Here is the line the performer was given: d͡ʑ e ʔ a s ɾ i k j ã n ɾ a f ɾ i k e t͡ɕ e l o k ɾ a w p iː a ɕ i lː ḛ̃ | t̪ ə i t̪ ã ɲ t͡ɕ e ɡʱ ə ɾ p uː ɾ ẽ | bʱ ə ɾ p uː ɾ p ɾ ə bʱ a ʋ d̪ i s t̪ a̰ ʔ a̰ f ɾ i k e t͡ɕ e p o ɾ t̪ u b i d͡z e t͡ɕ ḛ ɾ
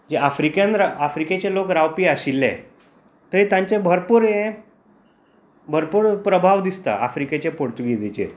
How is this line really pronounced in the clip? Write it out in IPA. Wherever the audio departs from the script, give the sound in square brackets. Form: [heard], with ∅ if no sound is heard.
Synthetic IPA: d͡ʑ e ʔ a [f] ɾ i k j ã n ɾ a f ɾ i k e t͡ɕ e l o k ɾ a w p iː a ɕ i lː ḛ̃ | t̪ ə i t̪ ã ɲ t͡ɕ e [bʱ] ə ɾ p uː ɾ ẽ | bʱ ə ɾ p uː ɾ p ɾ ə bʱ a ʋ d̪ i s t̪ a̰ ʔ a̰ f ɾ i k e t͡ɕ e p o ɾ t̪ u [ɡ] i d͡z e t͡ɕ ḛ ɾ